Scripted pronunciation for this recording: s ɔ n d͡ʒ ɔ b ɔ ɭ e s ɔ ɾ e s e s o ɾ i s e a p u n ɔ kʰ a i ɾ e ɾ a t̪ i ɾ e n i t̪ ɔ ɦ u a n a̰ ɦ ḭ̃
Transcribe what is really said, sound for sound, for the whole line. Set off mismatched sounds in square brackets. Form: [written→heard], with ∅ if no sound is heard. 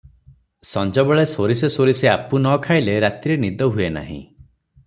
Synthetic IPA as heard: s ɔ n d͡ʒ ɔ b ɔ ɭ e s [ɔ→o] ɾ [e→i] s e s o ɾ i s e a p u n ɔ kʰ a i [ɾ→l] e ɾ a t̪ i ɾ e n i [t̪→d̪] ɔ ɦ u [a→e] n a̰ ɦ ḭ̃